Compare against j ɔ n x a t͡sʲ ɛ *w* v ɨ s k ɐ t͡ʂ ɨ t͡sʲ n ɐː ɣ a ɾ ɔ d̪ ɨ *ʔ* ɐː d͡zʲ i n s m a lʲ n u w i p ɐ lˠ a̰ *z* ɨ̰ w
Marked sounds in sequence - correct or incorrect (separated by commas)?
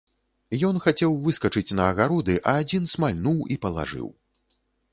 correct, correct, incorrect